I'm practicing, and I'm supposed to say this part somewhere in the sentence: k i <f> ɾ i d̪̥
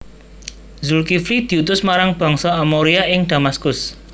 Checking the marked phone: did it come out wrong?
no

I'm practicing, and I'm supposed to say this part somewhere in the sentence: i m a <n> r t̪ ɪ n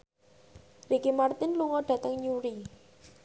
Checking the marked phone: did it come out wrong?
yes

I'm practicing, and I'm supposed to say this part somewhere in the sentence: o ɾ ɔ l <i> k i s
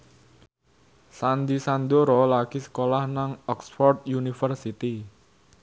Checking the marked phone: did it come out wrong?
yes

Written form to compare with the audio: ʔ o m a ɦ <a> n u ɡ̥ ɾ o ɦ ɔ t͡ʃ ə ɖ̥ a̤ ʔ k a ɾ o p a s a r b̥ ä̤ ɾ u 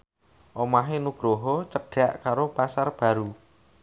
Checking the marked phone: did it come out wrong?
yes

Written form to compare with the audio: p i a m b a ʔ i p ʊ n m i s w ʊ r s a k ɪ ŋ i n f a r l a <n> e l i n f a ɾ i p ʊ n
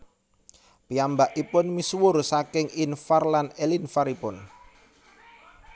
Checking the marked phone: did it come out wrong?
no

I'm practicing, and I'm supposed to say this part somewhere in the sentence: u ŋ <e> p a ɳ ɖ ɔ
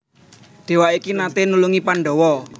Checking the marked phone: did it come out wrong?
yes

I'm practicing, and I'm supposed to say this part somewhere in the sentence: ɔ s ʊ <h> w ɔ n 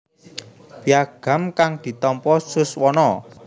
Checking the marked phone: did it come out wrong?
yes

